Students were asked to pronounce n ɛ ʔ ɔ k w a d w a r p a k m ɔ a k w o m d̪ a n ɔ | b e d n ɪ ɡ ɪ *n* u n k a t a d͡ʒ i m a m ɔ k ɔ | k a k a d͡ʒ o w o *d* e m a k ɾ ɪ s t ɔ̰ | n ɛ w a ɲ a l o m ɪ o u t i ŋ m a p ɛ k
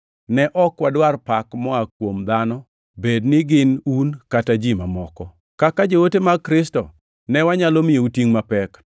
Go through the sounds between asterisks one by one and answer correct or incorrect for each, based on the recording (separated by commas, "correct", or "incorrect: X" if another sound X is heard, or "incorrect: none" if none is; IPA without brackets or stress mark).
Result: correct, incorrect: t